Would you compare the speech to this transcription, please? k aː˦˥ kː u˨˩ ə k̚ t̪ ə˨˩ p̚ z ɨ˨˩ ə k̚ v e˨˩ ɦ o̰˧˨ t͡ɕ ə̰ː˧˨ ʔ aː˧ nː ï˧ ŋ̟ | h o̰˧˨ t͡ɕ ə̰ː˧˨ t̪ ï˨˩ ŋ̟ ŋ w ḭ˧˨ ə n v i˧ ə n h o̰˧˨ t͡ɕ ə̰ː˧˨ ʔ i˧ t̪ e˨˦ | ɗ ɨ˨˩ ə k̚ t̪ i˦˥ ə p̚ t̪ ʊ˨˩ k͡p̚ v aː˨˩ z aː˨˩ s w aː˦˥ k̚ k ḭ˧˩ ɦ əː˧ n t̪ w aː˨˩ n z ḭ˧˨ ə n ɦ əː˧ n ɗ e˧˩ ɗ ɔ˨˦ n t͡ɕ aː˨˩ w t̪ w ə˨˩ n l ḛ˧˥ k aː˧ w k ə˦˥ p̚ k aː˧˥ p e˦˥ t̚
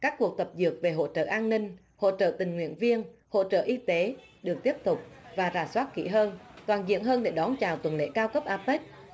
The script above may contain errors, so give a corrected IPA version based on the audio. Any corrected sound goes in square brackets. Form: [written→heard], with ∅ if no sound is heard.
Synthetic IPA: k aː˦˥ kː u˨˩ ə k̚ t̪ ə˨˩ p̚ z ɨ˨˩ ə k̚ v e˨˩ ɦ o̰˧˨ t͡ɕ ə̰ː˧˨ ʔ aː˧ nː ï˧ ŋ̟ | h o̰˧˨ t͡ɕ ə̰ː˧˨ t̪ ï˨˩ ŋ̟ ŋ w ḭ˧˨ ə n v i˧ ə n h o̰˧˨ t͡ɕ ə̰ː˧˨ ʔ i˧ t̪ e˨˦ | ɗ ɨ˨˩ ə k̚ t̪ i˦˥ ə p̚ t̪ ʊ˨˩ k͡p̚ v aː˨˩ z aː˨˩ s w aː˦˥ [k̚→t̚] k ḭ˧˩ ɦ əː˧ n t̪ w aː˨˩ n z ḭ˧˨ ə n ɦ əː˧ n ɗ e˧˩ ɗ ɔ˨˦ n t͡ɕ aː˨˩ w t̪ w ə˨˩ n l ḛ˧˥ k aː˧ w k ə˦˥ p̚ [k→ʔ] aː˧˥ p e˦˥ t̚